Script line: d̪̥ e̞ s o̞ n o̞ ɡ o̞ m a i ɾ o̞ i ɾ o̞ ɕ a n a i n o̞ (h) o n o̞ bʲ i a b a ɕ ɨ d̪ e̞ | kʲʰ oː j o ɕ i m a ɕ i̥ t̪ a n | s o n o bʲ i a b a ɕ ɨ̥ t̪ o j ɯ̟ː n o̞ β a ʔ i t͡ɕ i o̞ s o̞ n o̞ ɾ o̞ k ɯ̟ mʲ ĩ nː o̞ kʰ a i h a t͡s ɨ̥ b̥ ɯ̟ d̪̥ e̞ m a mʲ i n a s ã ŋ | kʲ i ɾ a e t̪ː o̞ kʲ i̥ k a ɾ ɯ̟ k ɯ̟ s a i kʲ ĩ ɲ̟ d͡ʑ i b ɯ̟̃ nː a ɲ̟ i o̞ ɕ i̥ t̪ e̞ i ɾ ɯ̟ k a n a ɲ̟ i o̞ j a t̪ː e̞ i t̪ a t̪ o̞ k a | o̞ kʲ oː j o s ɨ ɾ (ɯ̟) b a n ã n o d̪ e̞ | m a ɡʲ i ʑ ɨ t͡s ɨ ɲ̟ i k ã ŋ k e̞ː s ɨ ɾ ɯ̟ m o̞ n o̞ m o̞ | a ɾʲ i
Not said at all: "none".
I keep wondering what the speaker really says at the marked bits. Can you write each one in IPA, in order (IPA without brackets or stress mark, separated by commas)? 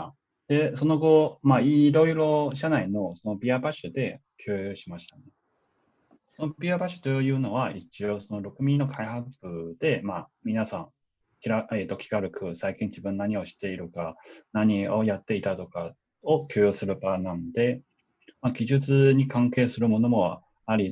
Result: s, ɯ̟